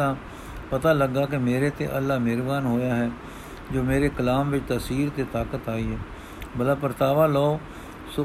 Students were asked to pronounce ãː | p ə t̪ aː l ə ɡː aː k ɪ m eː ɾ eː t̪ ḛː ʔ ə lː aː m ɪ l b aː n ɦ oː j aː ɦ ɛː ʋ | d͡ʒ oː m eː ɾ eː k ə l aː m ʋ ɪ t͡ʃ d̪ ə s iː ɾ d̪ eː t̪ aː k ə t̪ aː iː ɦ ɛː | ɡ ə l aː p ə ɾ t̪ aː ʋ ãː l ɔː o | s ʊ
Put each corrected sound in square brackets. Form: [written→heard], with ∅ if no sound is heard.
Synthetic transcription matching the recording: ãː | p ə t̪ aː l ə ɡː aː k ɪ m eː ɾ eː t̪ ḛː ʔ ə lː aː m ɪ [l→ɾ] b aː n ɦ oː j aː ɦ ɛː [ʋ→∅] | d͡ʒ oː m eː ɾ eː k ə l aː m ʋ ɪ t͡ʃ [d̪→t̪] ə s iː ɾ [d̪→t̪] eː t̪ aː k ə t̪ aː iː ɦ ɛː | [ɡ→b] ə l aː p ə ɾ t̪ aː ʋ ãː l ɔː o | s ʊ